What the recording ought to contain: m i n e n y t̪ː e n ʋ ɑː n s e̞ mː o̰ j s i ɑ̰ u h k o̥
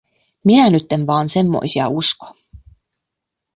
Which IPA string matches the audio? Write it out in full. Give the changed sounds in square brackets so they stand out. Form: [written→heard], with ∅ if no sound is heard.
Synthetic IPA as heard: m i n [e→æ] n y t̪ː e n ʋ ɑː n s e̞ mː o̰ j s i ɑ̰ u [h→s] k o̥